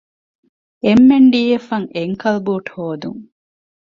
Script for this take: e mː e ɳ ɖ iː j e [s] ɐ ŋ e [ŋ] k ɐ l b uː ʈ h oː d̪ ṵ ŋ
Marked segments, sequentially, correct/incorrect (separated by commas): incorrect, correct